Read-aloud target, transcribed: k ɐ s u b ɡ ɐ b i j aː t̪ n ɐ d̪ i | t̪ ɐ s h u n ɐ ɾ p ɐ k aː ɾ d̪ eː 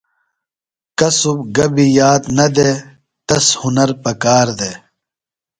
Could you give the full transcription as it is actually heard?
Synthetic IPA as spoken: k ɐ s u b ɡ ɐ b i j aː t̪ n ɐ d̪ e | t̪ ɐ s h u n ɐ ɾ p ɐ k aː ɾ d̪ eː